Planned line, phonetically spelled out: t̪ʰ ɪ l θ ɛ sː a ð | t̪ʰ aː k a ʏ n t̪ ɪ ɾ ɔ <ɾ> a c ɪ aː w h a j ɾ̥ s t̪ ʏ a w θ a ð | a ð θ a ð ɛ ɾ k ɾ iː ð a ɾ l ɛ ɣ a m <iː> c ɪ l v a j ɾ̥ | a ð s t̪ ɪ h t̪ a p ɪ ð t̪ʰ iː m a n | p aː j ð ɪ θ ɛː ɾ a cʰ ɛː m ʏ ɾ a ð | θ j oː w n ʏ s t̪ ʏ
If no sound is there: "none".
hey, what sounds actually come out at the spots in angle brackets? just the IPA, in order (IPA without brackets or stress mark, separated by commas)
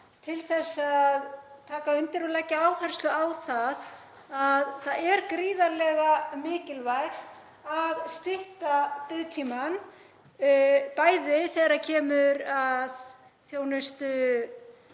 l, ɪː